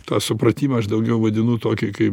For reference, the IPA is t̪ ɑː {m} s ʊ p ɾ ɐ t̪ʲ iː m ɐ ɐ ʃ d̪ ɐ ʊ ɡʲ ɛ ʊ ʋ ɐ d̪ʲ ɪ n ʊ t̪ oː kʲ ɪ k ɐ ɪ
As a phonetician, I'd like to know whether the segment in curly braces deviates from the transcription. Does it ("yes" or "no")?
yes